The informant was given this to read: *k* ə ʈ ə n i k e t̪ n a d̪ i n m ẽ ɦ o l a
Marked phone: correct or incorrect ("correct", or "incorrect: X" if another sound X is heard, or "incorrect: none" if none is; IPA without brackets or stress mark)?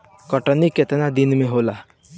correct